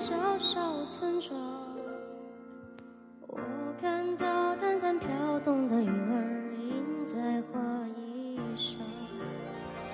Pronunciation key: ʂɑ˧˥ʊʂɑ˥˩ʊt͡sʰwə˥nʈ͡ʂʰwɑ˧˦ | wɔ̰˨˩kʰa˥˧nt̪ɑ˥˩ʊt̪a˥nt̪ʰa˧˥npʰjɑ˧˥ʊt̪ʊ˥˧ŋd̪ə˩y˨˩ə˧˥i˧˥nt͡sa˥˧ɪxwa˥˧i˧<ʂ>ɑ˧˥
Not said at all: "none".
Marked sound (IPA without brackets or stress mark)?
ʂ